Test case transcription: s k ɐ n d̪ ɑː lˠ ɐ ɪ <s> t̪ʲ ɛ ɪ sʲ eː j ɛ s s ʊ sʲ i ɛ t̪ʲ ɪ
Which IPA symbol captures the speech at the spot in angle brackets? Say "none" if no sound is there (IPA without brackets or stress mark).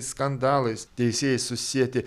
s